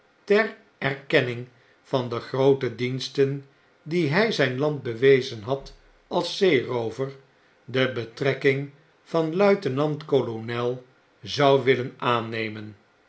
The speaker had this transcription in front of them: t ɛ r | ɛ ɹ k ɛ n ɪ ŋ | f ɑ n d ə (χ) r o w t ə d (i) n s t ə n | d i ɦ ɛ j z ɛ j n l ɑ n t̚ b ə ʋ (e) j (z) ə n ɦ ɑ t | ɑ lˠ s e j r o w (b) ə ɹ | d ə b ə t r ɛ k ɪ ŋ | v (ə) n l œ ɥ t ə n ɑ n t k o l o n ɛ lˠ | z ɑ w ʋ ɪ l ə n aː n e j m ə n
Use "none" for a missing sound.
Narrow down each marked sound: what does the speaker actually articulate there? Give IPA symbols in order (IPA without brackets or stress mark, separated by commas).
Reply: χ, i, e, z, v, ɑ